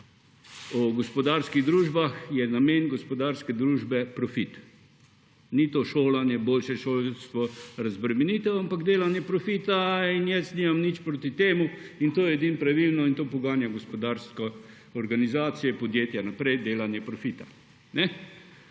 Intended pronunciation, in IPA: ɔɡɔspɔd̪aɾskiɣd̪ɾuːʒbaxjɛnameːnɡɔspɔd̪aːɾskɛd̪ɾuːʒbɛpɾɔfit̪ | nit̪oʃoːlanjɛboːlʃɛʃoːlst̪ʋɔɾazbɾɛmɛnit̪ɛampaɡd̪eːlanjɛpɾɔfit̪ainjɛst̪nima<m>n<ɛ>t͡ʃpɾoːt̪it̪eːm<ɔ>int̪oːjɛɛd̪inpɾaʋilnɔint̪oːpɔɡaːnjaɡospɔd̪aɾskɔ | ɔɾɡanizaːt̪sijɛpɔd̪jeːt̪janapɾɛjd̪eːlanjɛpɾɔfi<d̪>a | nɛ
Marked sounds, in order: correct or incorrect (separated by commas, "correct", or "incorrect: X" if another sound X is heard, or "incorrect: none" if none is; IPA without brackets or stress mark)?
correct, incorrect: i, incorrect: u, incorrect: t̪